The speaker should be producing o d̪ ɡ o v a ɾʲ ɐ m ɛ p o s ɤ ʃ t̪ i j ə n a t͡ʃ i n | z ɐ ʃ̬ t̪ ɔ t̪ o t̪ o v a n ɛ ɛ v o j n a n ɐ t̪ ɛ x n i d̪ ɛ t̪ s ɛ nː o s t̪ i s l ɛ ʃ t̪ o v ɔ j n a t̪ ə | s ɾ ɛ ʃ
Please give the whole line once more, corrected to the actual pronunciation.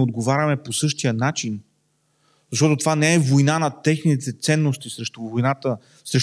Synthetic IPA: o d̪ ɡ o v a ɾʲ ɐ m ɛ p o s ɤ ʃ t̪ i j ə n a t͡ʃ i n | z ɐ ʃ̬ t̪ ɔ t̪ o t̪ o v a n ɛ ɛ v o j n a n ɐ t̪ ɛ x n i t̪ ɛ t̪ s ɛ nː o s t̪ i s ɾ ɛ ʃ t̪ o v o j n a t̪ ə | s ɾ ɛ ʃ